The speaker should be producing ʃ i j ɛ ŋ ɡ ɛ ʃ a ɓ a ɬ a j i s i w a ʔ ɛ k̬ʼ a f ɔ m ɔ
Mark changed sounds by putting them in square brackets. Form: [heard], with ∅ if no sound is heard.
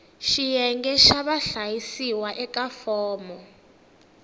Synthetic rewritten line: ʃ i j ɛ ŋ ɡ ɛ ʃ a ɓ a ɬ a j i s i w a ʔ ɛ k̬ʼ a f [ɔː] m ɔ